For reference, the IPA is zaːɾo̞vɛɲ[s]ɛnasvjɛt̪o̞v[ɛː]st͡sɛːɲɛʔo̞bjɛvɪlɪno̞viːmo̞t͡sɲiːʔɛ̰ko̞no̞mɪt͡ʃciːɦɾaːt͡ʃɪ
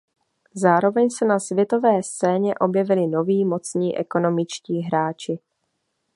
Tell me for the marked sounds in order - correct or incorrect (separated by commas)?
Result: correct, correct